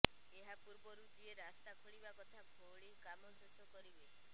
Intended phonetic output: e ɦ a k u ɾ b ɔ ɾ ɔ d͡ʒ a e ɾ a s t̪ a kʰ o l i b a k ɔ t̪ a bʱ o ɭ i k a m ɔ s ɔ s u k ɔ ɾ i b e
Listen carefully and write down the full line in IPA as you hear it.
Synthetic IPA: e ɦ a p u ɾ b ɔ ɾ u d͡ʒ i e ɾ a s t̪ a kʰ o ɭ i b a k ɔ t̪ʰ a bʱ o ɭ i k a m ɔ s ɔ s ɔ k ɔ ɾ i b e